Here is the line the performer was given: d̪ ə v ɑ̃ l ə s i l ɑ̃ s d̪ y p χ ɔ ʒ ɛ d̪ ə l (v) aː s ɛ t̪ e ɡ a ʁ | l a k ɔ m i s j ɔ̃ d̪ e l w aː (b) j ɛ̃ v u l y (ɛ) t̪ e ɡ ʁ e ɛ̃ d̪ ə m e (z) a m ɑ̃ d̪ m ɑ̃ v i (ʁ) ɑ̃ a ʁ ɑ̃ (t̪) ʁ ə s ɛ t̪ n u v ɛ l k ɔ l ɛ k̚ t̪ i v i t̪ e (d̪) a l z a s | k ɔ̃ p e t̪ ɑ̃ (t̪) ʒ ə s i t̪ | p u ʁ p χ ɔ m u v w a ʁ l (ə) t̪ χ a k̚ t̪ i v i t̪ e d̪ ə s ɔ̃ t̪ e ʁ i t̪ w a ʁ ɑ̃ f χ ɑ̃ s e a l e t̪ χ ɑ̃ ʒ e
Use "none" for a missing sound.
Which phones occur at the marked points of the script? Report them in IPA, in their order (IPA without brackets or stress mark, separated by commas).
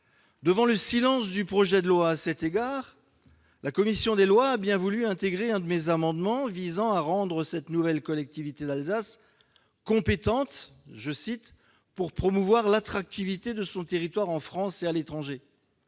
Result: w, b, ɛ̃, z, z, d̪, d̪, t̪, a